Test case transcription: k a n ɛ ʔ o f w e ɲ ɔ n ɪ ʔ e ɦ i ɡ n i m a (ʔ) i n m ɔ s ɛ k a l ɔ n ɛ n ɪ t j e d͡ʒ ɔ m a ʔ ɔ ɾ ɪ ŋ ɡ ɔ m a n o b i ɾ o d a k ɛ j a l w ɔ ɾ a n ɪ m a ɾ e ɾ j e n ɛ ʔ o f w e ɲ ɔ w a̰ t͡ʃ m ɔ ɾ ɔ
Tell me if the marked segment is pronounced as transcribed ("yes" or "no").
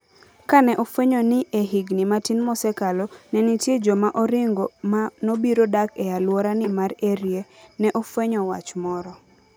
no